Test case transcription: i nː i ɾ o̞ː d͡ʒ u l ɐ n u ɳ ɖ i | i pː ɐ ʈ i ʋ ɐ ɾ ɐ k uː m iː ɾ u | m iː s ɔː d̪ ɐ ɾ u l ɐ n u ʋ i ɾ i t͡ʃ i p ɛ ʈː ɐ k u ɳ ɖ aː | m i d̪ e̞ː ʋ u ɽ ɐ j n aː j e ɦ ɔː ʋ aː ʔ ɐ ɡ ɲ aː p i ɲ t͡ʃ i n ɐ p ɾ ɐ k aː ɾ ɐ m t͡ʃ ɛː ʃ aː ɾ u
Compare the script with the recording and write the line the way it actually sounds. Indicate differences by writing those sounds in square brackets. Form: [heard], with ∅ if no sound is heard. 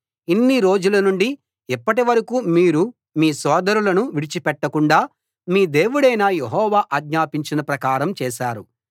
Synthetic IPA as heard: i nː i ɾ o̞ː d͡ʒ u l ɐ n u ɳ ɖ i | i pː ɐ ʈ i ʋ ɐ ɾ ɐ k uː m iː ɾ u | m iː s ɔː d̪ ɐ ɾ u l ɐ n u ʋ i [ɽ] i t͡ʃ i p ɛ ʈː ɐ k u ɳ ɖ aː | m [iː] d̪ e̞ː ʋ u ɽ ɐ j n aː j e ɦ ɔː ʋ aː ʔ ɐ ɡ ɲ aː p i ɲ t͡ʃ i n ɐ p ɾ ɐ k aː ɾ ɐ m t͡ʃ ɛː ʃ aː ɾ u